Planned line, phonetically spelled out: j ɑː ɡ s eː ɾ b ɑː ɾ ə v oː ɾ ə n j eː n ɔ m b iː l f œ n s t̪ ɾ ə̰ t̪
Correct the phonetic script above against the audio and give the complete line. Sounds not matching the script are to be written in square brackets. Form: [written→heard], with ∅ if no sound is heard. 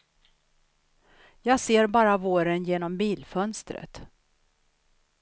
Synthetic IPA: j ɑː ɡ s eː ɾ b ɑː ɾ [ə→a] v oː ɾ ə n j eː n ɔ m b iː l f œ n s t̪ ɾ ə̰ t̪